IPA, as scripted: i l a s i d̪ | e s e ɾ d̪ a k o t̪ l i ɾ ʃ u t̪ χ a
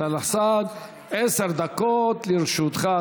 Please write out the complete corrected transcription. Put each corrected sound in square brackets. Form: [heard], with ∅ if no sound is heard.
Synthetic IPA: [a] l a s [a] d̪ | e s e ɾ d̪ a k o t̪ l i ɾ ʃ u t̪ χ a